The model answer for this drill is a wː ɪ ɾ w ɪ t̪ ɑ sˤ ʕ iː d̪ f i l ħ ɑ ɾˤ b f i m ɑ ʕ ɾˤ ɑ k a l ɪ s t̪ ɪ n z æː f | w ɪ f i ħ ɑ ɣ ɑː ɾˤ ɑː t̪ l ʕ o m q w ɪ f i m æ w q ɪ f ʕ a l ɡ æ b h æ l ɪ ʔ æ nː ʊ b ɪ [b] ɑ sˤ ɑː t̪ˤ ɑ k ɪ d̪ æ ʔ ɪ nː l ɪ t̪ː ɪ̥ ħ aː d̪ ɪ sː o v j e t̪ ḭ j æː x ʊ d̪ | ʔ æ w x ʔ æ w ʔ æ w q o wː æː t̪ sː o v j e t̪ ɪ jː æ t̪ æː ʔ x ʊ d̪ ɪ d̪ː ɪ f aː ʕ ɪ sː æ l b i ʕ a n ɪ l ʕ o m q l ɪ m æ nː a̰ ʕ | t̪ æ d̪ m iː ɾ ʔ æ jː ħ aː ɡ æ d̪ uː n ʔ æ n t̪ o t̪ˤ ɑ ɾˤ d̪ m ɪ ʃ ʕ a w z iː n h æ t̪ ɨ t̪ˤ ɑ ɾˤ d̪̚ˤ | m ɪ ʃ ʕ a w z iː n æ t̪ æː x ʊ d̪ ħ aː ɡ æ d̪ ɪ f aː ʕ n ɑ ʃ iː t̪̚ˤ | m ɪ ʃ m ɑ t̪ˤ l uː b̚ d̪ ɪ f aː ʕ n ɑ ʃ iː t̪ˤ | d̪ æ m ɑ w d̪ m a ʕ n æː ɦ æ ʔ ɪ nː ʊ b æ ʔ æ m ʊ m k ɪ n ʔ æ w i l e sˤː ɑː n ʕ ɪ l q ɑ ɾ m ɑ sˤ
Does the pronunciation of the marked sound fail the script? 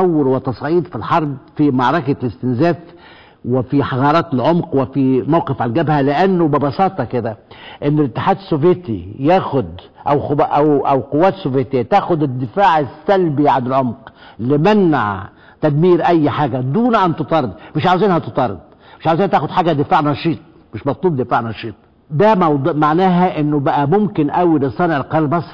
no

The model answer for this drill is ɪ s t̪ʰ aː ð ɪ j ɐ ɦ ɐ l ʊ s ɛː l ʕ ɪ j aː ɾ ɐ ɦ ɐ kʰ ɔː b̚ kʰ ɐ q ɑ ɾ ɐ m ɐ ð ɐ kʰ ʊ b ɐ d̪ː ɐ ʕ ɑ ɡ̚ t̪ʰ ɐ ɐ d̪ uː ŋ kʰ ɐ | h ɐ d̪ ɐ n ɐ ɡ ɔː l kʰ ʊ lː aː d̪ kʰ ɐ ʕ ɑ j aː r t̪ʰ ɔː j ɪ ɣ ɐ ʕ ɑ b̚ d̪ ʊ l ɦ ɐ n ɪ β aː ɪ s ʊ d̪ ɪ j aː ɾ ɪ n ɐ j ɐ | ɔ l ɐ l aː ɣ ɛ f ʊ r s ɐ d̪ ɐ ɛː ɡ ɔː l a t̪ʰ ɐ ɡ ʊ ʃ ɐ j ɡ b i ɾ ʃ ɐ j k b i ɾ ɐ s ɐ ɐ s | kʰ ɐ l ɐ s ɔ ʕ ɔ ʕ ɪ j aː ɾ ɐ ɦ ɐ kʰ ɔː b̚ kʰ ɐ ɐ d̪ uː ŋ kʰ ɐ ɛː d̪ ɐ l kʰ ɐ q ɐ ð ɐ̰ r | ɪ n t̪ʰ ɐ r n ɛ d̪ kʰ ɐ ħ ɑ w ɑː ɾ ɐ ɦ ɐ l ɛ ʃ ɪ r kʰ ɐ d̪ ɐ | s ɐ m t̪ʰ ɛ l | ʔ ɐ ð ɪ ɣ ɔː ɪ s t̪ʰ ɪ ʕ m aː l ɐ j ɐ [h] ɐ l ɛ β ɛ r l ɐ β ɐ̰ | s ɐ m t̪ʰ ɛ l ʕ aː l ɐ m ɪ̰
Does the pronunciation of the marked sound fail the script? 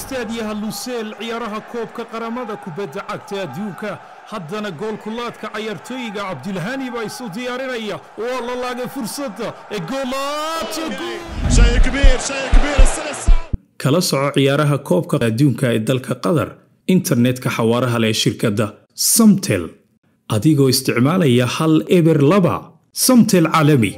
no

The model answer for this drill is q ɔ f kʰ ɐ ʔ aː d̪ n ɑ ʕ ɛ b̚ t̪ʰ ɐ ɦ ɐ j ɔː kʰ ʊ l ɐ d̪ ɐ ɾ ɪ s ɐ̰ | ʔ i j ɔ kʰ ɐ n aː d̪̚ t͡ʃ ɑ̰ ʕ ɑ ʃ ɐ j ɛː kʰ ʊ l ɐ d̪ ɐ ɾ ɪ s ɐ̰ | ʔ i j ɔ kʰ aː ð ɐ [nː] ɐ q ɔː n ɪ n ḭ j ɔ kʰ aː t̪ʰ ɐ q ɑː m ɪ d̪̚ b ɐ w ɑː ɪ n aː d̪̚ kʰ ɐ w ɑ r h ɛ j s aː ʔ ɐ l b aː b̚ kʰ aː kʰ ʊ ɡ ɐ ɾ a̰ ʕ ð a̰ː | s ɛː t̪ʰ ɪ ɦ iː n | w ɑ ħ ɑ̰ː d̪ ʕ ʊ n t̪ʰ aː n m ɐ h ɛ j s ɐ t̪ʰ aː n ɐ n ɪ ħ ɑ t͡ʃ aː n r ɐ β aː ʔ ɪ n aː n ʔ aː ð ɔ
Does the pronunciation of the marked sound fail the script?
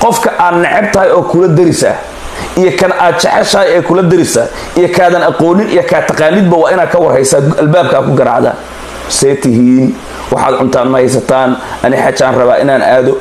yes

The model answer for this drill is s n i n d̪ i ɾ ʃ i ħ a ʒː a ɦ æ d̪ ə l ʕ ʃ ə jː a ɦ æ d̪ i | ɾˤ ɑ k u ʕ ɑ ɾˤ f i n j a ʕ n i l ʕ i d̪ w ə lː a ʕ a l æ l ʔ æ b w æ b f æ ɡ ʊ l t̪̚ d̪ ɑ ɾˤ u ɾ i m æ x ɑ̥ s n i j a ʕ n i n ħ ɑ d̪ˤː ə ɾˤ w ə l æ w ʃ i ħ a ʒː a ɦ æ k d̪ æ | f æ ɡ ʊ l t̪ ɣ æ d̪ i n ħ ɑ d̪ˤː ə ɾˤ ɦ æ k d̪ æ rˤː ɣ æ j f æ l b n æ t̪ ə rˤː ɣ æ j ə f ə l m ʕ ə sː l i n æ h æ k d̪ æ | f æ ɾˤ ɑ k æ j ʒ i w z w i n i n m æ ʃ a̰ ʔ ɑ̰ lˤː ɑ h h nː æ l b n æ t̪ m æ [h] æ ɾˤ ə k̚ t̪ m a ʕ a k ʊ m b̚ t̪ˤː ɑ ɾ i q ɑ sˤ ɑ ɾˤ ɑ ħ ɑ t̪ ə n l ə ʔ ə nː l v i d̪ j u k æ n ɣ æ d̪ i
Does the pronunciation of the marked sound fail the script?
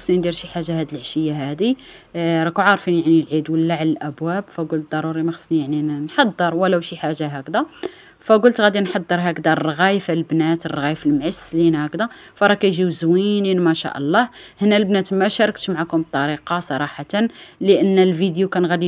yes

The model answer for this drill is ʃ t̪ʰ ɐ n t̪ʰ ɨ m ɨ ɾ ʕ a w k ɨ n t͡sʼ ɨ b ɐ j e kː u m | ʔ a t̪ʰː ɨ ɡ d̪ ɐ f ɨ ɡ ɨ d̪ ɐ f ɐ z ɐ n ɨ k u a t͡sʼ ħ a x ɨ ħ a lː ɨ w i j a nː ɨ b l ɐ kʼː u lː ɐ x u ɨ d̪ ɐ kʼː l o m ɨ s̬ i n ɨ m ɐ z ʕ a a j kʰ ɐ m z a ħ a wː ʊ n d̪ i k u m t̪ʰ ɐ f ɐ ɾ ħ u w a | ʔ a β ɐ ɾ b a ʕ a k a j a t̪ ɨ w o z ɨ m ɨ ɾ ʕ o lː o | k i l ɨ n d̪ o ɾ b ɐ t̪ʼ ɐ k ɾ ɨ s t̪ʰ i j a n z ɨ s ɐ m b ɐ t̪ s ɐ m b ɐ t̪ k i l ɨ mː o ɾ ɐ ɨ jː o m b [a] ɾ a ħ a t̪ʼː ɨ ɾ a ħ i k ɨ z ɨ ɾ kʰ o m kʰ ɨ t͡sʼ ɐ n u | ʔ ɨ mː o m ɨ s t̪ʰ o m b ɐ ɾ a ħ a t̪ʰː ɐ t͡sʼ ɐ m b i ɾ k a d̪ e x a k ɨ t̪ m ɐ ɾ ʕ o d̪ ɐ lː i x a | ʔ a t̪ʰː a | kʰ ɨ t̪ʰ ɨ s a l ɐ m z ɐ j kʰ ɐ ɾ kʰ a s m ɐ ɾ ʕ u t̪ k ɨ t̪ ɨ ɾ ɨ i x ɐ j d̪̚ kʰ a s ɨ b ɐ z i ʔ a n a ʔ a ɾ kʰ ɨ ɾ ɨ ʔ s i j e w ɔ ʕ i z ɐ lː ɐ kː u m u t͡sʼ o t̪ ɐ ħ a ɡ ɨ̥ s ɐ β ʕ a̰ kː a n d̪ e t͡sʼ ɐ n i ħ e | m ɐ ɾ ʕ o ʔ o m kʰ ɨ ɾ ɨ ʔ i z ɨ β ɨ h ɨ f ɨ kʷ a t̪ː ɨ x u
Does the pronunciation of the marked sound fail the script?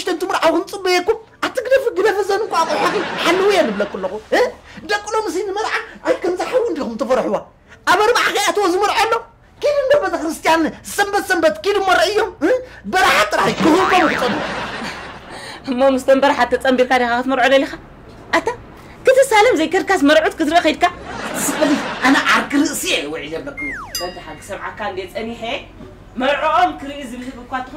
yes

